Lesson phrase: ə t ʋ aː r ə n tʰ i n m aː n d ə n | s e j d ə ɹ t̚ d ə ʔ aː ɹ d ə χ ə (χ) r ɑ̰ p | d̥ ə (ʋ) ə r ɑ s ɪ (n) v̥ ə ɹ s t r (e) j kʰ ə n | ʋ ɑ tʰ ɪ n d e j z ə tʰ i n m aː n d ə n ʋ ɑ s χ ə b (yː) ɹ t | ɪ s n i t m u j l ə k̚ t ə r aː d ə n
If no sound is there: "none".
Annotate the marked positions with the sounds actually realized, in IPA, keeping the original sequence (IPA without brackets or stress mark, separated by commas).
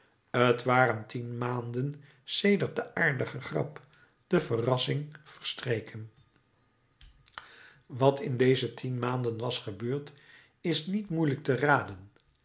χ, v, ŋ, e, øː